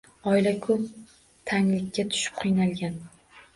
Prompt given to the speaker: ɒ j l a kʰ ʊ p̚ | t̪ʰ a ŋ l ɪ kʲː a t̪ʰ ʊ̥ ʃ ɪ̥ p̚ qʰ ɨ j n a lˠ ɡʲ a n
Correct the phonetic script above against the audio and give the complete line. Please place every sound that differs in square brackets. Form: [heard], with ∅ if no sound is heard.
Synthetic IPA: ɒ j l a kʰ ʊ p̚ | t̪ʰ a ŋ l ɪ kʲː a t̪ʰ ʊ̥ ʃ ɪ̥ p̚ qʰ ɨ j n a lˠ ɡʲ a n